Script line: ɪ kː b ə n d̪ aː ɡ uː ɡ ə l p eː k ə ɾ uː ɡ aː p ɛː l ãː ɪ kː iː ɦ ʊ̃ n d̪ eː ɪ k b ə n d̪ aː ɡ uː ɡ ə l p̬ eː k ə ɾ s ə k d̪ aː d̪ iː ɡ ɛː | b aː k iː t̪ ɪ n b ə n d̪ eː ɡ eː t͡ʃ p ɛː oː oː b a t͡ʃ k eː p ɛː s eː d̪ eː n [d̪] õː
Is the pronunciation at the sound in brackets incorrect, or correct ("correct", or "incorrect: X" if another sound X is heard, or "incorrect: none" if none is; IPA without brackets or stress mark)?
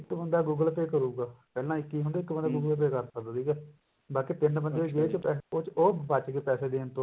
incorrect: t̪